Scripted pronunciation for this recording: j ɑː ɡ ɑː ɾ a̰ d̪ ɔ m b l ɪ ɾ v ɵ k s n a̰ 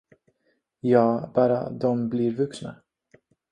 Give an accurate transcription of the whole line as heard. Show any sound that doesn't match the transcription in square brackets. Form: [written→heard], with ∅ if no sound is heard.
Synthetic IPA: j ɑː [ɡ→b] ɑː ɾ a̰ d̪ ɔ m b l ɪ ɾ v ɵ k s n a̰